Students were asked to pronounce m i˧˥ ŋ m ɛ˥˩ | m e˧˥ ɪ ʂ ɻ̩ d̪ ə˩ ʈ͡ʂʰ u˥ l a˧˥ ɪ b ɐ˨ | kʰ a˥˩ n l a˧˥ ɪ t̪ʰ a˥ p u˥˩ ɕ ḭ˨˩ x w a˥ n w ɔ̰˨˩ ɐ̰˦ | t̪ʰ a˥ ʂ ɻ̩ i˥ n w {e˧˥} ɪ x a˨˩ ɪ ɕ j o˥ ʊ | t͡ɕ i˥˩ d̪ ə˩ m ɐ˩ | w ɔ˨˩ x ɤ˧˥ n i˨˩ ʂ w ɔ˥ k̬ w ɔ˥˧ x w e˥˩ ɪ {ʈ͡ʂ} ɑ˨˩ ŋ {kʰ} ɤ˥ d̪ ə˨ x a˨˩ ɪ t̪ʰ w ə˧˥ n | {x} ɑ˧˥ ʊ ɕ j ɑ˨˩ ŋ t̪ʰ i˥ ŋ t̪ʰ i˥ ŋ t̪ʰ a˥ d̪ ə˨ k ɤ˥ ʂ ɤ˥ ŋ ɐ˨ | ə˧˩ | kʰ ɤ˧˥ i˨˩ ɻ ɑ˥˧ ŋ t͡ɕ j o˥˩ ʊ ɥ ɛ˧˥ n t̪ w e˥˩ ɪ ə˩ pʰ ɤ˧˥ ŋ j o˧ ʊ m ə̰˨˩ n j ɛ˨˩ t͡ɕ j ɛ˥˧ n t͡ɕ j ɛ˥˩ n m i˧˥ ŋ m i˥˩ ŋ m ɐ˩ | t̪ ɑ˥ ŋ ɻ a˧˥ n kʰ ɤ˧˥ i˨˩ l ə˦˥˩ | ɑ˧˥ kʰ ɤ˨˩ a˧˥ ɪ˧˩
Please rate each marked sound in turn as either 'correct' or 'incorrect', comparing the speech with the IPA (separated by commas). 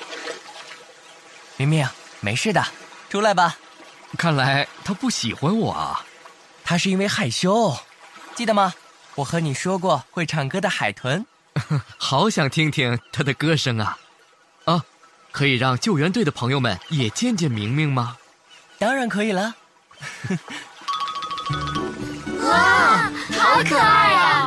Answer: incorrect, incorrect, incorrect, correct